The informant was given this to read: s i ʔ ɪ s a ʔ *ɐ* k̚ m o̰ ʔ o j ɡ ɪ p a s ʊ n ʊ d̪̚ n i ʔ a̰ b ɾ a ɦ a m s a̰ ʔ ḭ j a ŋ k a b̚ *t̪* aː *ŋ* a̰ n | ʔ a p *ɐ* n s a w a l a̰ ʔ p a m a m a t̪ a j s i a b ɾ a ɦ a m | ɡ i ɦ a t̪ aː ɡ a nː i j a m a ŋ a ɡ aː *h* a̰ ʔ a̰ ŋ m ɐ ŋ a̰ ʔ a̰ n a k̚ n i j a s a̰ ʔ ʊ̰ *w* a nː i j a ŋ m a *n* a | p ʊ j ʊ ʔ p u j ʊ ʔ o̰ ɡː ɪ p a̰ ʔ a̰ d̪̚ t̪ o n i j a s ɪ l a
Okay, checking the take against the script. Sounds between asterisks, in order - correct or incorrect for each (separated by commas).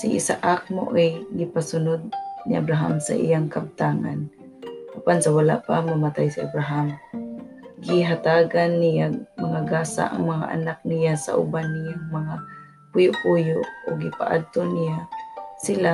incorrect, correct, correct, incorrect, incorrect, incorrect, incorrect